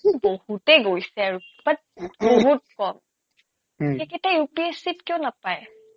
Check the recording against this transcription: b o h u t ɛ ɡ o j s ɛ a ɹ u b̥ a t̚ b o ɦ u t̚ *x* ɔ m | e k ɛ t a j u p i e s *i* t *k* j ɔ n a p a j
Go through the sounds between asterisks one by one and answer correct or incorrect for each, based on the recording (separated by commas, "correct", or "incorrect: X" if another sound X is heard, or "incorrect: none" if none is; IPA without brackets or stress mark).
incorrect: k, correct, correct